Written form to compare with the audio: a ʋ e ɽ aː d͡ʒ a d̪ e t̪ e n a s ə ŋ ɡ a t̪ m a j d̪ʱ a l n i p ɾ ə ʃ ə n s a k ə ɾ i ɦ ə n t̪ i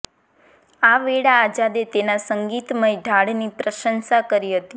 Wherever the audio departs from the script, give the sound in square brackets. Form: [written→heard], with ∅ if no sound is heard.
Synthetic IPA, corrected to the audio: a ʋ e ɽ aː d͡ʒ a d̪ e t̪ e n a s ə ŋ ɡ [a→i] t̪ m [a→ə] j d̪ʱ a [l→ɽ] n i p ɾ ə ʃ ə n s a k ə ɾ i ɦ ə [n→∅] t̪ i